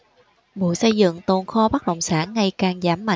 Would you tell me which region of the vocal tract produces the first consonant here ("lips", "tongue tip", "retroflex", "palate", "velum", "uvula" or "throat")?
lips